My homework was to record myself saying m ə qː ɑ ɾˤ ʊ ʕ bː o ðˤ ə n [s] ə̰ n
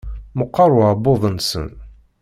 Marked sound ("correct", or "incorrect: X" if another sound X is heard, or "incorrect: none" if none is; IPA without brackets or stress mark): correct